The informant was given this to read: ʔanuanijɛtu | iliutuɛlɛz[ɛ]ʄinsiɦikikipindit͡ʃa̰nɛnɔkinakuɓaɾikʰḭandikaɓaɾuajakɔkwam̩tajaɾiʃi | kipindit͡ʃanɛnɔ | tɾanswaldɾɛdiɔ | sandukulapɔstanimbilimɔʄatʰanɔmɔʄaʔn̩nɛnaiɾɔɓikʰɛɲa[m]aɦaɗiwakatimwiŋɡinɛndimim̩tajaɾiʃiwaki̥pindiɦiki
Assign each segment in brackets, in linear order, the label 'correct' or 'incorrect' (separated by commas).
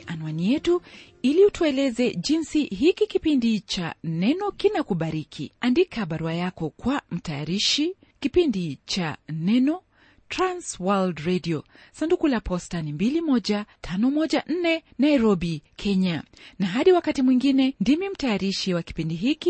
correct, incorrect